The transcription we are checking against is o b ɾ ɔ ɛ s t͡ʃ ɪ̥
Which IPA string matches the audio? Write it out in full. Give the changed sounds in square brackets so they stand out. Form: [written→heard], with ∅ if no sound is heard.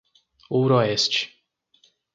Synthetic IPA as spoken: o [b→w] ɾ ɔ ɛ s t͡ʃ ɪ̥